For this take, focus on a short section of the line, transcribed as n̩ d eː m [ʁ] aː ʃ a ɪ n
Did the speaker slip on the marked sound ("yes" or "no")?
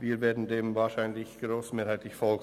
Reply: yes